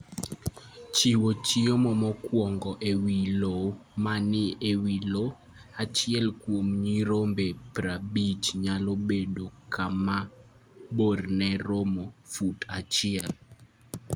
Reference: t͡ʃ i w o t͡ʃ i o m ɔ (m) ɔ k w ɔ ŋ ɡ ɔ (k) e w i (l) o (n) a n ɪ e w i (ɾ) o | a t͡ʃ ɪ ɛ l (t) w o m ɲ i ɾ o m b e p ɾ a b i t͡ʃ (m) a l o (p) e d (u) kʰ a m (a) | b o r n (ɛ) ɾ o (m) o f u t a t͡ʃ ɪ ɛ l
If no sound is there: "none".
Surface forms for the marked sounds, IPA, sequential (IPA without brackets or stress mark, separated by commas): m, ʔ, l, m, l, k, ɲ, b, o, a, ɛ, m